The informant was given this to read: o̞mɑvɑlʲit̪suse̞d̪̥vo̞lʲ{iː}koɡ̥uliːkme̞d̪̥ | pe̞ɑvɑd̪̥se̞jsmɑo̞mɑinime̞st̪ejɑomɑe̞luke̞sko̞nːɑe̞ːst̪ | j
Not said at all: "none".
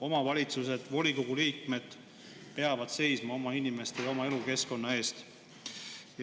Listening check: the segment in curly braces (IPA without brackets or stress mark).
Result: i